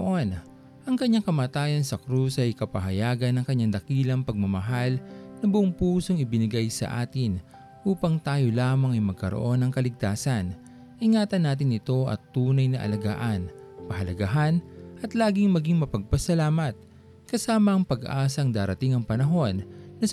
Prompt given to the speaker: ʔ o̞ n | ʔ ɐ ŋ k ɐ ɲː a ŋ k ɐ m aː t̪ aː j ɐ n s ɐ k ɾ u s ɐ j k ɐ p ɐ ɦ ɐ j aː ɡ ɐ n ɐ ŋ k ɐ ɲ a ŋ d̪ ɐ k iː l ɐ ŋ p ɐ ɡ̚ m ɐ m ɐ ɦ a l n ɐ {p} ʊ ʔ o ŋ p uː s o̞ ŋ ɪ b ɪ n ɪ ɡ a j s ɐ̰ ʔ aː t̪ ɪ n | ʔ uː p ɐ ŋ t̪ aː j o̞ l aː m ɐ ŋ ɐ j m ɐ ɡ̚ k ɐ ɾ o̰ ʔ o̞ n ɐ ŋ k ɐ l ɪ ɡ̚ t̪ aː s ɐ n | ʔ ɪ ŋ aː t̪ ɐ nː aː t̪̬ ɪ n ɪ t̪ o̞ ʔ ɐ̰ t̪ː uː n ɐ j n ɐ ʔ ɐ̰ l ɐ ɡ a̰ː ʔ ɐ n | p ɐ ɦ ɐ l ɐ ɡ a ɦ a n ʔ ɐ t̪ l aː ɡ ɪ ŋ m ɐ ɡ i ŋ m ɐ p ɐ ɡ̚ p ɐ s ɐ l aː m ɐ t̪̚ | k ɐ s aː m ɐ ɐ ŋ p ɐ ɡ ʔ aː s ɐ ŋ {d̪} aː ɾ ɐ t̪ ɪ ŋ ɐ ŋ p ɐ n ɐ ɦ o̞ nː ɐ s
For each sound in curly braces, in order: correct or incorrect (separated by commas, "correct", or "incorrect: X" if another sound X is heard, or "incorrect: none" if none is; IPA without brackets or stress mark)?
incorrect: b, correct